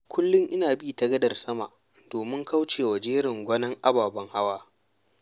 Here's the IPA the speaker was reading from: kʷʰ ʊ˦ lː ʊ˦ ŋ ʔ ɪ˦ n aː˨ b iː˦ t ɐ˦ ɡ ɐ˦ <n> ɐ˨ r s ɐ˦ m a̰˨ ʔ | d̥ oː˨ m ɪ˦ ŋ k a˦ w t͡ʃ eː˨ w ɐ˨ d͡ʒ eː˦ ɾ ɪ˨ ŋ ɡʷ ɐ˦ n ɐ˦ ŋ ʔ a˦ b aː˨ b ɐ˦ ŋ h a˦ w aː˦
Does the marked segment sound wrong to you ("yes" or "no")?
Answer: yes